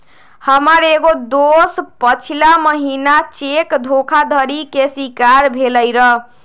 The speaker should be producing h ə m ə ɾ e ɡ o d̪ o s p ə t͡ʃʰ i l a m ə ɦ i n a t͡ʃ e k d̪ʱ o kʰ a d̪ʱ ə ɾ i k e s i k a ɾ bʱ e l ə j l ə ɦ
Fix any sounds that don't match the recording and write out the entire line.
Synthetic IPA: h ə m ə ɾ e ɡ o d̪ o s p ə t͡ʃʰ i l a m ə ɦ i n a t͡ʃ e k d̪ʱ o kʰ a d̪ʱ ə ɾ i k e s i k a ɾ bʱ e l ə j ɾ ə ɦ

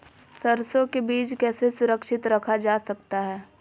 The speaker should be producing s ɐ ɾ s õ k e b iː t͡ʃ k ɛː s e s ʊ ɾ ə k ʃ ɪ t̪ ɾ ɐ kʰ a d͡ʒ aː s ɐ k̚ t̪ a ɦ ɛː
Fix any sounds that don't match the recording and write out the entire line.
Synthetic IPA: s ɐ ɾ s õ k e b iː t͡ʃ k ɛː s e s ʊ ɾ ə k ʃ ɪ t̪ ɾ ɐ kʰ a d͡ʒ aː s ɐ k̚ t̪ a ɦ ɛː

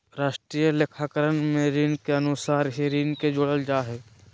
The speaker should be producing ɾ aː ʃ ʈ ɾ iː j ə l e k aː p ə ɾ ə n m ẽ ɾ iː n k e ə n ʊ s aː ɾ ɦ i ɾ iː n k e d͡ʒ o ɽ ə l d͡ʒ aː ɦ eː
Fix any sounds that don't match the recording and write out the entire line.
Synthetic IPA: ɾ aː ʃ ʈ ɾ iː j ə l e kʰ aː k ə ɾ ə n m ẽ ɾ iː n k e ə n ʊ s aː ɾ ɦ i ɾ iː n k e d͡ʒ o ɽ ə l d͡ʒ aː ɦ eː

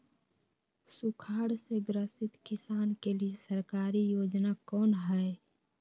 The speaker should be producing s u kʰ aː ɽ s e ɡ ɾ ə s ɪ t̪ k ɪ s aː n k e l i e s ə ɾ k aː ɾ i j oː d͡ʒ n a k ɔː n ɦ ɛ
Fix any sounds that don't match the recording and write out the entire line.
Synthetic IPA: s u kʰ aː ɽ s e ɡ ɾ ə s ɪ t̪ k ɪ s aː n k e l i e s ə ɾ k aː ɾ i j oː d͡ʒ n a k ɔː n ɦ ɛ

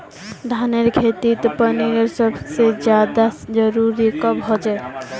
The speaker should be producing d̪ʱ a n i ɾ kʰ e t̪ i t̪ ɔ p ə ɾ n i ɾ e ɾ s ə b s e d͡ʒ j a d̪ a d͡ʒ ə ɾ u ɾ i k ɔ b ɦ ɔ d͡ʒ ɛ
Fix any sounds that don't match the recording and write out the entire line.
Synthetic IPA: d̪ʱ a n e ɾ kʰ e t̪ i t̪ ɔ p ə n i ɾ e ɾ s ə b s e d͡ʒ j a d̪ a d͡ʒ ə ɾ u ɾ i k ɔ b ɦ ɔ d͡ʒ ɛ

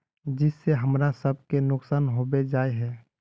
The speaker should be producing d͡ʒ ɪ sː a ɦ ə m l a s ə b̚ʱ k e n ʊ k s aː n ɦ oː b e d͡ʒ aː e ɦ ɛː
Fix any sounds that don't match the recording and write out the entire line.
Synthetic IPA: d͡ʒ ɪ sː e ɦ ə m ɾ a s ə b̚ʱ k e n ʊ k s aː n ɦ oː b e d͡ʒ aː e ɦ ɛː

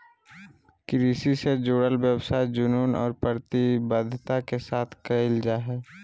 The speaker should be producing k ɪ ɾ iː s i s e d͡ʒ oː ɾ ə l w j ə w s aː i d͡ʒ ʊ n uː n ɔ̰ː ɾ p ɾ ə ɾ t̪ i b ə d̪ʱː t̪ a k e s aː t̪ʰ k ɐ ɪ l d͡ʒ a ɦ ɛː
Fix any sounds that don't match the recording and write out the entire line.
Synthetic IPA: k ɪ ɾ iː s i s e d͡ʒ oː ɽ ə l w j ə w s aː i d͡ʒ ʊ n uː n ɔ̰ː ɾ p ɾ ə ɾ t̪ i b ə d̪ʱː t̪ a k e s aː t̪ʰ k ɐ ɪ l d͡ʒ a ɦ ɛː

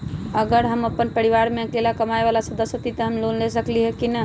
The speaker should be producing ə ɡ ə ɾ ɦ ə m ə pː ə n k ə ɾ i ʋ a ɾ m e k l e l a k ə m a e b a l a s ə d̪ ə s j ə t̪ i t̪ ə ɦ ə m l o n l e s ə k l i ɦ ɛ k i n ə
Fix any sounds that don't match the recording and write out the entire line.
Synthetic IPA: ə ɡ ə ɾ ɦ ə m ə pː ə n p ə ɾ i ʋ a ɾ m e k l e l a k ə m a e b a l a s ə d̪ ə s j ə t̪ i t̪ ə ɦ ə m l o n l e s ə k l i ɦ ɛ k i n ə

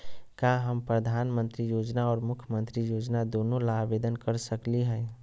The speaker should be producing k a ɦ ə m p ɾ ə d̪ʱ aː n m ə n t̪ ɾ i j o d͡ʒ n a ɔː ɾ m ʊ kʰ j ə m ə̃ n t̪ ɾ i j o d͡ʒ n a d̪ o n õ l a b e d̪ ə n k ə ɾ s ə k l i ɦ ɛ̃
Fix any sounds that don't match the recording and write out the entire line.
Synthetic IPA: k a ɦ ə m p ɾ ə d̪ʱ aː n m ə n t̪ ɾ i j o d͡ʒ n a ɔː ɾ m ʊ kʰ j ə m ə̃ n t̪ ɾ i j o d͡ʒ n a d̪ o n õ l a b e d̪ ə n k ə ɾ s ə k l i ɦ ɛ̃

